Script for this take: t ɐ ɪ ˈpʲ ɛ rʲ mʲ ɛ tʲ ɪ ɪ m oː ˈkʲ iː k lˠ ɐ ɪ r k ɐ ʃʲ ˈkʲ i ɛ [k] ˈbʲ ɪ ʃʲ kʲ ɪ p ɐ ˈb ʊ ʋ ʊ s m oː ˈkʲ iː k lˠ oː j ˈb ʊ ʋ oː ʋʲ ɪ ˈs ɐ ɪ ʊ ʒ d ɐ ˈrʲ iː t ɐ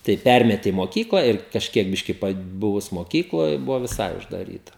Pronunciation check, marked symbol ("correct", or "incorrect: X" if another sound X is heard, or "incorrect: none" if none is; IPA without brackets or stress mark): correct